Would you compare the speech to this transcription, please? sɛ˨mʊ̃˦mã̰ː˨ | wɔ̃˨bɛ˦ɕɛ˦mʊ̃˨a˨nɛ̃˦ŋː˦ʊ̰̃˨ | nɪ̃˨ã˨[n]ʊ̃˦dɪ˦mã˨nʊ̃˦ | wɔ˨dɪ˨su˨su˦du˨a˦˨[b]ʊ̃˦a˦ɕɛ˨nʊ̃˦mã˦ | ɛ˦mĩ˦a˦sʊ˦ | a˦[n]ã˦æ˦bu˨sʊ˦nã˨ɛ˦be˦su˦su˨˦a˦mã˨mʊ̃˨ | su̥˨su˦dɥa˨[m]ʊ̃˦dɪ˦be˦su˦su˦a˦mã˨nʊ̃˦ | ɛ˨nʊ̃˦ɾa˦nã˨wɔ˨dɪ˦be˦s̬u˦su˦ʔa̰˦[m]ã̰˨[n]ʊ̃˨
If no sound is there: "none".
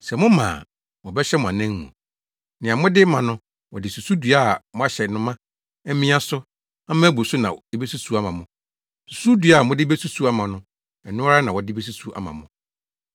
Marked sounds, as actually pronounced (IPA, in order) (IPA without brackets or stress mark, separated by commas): m, m, m, m, m, m